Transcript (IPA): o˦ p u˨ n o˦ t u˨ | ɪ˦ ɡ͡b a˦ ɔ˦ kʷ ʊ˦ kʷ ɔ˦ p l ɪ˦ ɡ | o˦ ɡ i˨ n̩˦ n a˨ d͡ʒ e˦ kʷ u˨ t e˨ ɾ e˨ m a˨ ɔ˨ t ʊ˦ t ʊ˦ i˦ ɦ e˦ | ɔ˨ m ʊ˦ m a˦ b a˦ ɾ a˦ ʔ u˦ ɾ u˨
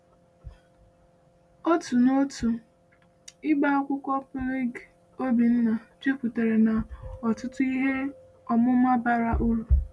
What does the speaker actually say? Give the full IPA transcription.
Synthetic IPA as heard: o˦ t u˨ n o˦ t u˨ | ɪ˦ ɡ͡b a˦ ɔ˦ kʷ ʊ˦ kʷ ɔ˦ p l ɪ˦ ɡ | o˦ b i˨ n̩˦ n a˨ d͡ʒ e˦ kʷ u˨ t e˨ ɾ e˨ n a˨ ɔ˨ t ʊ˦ t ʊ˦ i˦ ɦ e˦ | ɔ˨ m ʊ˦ m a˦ b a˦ ɾ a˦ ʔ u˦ ɾ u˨

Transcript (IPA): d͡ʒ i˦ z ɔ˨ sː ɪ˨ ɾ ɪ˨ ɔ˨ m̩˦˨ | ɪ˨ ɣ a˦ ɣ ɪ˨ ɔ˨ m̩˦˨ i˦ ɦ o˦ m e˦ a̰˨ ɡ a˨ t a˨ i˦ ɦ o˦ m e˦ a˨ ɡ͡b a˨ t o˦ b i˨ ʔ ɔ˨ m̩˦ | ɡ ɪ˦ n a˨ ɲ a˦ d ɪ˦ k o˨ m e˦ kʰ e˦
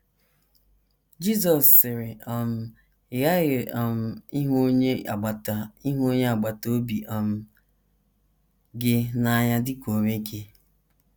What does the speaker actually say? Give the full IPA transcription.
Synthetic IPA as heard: d͡ʒ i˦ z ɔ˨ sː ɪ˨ ɾ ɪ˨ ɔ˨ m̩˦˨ | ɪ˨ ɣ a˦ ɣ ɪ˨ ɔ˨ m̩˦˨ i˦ ɦ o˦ ɲ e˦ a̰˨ ɡ͡b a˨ t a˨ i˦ ɦ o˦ ɲ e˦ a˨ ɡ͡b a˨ t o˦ b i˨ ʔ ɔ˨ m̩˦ | ɡ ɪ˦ n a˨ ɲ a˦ d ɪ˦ k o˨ m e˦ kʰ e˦

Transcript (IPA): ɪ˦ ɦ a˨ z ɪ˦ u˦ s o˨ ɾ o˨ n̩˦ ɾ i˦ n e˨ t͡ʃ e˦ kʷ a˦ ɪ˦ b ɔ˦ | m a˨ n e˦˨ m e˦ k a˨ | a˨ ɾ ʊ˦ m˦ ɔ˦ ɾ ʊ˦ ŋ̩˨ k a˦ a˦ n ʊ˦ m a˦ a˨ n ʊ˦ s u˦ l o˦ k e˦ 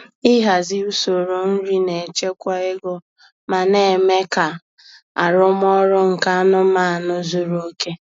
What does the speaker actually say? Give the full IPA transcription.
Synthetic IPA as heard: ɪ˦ ɦ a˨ z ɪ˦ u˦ s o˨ ɾ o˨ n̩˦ ɾ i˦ n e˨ t͡ʃ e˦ kʷ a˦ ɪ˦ ɡ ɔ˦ | m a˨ n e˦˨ m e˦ k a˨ | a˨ ɾ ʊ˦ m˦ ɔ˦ ɾ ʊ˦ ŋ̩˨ k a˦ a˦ n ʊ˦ m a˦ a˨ n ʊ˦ z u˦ ɾ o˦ k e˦

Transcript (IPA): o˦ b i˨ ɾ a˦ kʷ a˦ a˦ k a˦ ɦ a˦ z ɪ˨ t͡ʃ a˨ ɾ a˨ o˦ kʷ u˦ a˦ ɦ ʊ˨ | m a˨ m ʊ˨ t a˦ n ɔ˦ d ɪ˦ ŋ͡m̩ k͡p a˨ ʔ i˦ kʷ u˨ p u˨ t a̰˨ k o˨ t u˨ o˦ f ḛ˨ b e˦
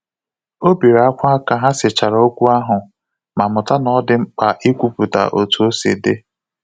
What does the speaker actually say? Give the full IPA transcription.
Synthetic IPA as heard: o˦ b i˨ ɾ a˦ kʷ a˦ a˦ k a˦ ɦ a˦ s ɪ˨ t͡ʃ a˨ ɾ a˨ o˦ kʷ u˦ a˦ ɦ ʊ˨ | m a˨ m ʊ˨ t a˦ n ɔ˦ d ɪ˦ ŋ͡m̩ k͡p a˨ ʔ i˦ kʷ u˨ p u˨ t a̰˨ ʔ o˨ t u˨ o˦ s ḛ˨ d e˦

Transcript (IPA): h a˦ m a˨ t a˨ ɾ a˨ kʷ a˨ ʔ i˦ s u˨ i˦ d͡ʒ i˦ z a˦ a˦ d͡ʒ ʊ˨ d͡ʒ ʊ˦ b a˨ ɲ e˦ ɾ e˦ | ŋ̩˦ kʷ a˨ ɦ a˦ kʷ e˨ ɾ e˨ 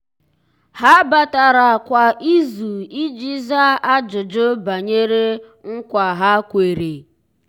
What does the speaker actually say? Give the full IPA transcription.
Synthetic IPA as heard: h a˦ b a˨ t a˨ ɾ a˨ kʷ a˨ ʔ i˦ z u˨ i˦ d͡ʒ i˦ z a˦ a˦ d͡ʒ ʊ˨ d͡ʒ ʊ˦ b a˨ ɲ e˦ ɾ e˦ | ŋ̩˦ kʷ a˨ ɦ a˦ kʷ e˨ ɾ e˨

